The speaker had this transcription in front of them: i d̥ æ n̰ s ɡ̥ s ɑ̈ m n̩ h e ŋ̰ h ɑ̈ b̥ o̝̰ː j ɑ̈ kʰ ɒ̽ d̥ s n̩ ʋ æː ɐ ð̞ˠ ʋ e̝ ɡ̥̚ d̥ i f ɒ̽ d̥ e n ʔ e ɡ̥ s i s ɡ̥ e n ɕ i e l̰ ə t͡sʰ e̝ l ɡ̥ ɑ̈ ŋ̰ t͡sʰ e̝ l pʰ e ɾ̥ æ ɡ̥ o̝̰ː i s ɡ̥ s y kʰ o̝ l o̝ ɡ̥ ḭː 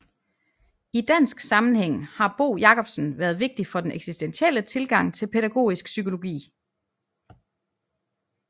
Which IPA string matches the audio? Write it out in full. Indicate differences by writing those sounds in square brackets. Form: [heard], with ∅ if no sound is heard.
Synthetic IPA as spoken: i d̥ æ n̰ s ɡ̥ s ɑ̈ m n̩ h e ŋ̰ h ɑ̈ b̥ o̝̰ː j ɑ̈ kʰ ɒ̽ [b̥] s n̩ ʋ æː ɐ ð̞ˠ ʋ e̝ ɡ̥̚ d̥ i f ɒ̽ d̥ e n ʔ e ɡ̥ s i s [d̥] e n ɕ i e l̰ ə t͡sʰ e̝ l ɡ̥ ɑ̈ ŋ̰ t͡sʰ e̝ l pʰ e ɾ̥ æ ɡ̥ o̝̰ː i s ɡ̥ s y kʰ o̝ l o̝ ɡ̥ ḭː